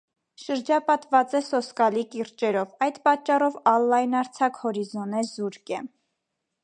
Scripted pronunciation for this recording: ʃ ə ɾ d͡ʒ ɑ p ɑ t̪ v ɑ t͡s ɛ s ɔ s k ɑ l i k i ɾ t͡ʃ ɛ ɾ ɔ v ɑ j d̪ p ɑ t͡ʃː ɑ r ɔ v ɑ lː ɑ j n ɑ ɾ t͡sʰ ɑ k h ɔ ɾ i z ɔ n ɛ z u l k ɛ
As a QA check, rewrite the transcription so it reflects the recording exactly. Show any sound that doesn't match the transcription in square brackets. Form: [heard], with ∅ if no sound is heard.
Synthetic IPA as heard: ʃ ə ɾ d͡ʒ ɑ p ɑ t̪ v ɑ t͡s ɛ s ɔ s k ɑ l i k i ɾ t͡ʃ ɛ ɾ ɔ v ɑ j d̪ p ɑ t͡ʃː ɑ r ɔ v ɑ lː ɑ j n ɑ ɾ t͡sʰ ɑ k h ɔ ɾ i z ɔ n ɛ z u [ɾ] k ɛ